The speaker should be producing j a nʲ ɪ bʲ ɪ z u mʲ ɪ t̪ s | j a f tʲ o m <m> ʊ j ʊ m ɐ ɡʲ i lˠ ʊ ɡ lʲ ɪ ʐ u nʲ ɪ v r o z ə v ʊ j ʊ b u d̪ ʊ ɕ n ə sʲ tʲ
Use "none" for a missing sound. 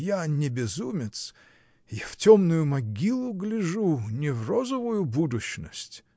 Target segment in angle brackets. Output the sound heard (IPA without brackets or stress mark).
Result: n